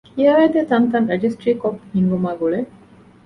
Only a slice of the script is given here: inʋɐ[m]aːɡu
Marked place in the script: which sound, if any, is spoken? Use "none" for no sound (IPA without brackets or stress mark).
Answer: m